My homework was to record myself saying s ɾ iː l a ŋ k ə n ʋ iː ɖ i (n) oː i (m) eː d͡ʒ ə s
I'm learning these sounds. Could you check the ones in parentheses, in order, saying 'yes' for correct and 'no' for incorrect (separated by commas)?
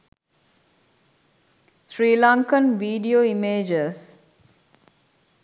no, yes